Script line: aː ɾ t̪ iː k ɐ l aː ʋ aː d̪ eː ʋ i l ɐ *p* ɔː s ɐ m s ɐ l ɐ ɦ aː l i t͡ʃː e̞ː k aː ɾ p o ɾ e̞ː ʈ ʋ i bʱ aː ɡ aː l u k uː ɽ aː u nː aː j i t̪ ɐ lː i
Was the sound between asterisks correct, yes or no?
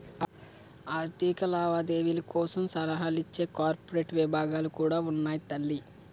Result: no